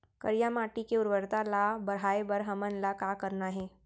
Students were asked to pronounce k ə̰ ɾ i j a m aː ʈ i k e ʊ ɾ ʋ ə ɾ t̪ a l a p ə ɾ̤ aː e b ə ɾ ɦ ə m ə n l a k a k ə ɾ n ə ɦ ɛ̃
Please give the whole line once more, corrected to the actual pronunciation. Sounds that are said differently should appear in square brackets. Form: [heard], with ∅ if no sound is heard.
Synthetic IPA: k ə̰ ɾ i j a m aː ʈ i k e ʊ ɾ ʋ ə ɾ t̪ a l a [b] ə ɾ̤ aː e b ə ɾ ɦ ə m ə n l a k a k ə ɾ n [a] ɦ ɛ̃